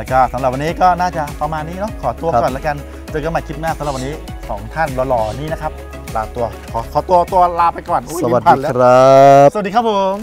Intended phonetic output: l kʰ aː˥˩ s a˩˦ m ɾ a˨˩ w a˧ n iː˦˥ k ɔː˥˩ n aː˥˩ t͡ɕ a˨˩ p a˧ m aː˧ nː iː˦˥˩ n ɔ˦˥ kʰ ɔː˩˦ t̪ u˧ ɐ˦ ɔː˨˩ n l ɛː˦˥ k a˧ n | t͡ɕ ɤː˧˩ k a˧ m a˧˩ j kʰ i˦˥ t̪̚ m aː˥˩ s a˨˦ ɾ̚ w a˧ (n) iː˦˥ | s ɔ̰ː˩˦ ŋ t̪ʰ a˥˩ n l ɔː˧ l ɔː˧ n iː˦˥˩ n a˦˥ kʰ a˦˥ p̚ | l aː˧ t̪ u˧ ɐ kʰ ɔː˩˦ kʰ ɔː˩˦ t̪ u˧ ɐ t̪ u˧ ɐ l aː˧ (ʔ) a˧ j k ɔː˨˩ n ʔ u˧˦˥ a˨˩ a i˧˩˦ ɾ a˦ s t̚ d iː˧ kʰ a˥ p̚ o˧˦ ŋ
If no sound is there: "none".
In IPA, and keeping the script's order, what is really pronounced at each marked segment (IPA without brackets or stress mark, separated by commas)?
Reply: n, p